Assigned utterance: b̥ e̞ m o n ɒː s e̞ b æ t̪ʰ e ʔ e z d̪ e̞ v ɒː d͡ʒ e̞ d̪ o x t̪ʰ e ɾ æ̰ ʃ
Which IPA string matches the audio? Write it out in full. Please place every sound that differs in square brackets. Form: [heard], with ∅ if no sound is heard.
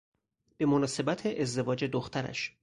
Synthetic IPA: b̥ e̞ m o n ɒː s e̞ b æ t̪ʰ e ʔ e z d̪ e̞ v ɒː d͡ʒ e̞ d̪ o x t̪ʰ [æ] ɾ æ̰ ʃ